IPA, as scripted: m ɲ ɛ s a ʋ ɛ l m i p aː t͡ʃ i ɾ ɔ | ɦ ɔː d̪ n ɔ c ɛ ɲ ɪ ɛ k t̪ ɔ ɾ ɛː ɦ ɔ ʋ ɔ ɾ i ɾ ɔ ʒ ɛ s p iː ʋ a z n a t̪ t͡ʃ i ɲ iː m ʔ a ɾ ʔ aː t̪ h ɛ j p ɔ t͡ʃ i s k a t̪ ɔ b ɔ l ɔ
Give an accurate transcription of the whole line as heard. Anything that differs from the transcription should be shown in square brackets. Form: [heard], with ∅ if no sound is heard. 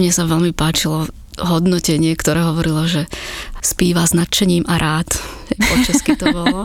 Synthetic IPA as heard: m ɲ ɛ s a ʋ ɛ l m i p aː t͡ʃ i [l] ɔ | ɦ [ɔ] d̪ n ɔ c ɛ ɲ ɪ ɛ k t̪ ɔ ɾ ɛː ɦ ɔ ʋ ɔ ɾ i [l] ɔ ʒ ɛ s p iː ʋ a z n a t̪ t͡ʃ [ɛ] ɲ iː m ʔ a ɾ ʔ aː t̪ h ɛ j p ɔ t͡ʃ [a] s k [i] t̪ ɔ b ɔ l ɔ